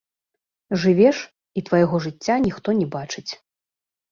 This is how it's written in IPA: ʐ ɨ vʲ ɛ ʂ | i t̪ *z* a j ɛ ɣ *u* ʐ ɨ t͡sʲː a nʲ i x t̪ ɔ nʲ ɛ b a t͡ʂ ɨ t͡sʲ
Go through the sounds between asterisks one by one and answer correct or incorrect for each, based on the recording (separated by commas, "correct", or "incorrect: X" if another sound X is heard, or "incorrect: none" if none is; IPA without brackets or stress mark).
incorrect: v, incorrect: ɔ